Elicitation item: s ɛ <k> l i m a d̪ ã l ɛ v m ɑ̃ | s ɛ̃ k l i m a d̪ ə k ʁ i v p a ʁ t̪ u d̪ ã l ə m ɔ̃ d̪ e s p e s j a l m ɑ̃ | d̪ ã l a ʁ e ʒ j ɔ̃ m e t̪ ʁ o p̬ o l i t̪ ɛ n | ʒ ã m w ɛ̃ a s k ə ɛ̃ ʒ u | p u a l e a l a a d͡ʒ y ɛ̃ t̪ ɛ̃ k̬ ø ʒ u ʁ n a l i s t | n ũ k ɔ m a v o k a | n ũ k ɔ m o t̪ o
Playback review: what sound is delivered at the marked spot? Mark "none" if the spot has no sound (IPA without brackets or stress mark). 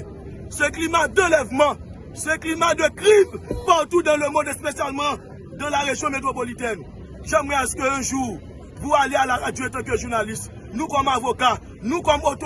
k